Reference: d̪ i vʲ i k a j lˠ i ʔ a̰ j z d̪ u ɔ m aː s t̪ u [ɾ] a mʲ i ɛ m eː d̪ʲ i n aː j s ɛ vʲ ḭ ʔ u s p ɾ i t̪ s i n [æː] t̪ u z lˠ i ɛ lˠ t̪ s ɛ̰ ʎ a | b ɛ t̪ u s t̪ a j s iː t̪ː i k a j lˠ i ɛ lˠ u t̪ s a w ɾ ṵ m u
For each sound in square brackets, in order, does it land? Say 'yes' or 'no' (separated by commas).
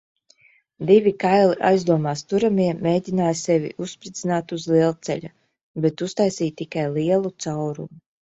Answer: yes, no